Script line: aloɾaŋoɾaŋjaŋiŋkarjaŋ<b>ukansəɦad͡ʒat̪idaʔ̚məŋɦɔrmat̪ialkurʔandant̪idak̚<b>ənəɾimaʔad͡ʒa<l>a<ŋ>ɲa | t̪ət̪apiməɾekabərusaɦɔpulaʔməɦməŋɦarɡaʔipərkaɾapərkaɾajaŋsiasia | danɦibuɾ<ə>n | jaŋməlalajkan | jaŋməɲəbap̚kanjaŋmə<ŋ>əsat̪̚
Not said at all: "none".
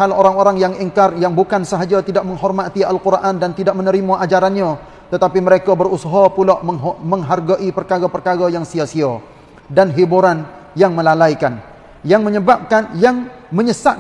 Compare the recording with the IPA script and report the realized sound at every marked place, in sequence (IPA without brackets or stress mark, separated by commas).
b, m, ɾ, n, a, ɲ